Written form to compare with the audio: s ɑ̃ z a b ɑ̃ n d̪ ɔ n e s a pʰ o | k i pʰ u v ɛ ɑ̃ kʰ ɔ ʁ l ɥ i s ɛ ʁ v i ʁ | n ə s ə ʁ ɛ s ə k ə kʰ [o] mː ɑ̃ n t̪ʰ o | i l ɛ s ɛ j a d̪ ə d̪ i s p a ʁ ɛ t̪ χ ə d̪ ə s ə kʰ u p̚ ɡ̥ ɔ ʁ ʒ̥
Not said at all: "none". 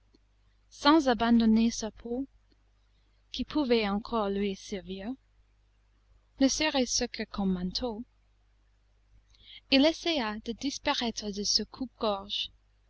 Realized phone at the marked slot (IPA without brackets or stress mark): ɔ